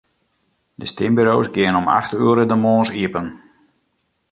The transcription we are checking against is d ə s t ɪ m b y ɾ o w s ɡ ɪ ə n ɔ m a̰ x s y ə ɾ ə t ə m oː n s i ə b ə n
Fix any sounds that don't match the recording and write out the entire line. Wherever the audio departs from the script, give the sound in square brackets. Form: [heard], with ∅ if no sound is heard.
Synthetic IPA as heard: d ə s t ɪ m b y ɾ o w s ɡ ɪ ə n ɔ m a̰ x [t] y ə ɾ ə [d] ə m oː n s i ə [p] ə n